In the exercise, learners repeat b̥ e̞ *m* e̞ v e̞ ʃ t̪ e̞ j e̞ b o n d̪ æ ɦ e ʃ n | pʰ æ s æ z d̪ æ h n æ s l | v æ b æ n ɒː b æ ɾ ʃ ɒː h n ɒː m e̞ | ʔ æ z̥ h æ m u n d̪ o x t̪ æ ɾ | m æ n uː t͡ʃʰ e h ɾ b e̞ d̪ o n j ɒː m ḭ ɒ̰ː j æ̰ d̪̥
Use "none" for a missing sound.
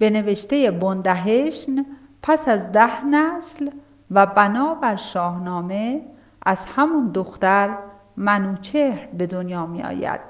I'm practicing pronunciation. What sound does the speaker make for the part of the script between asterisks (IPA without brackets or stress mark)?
n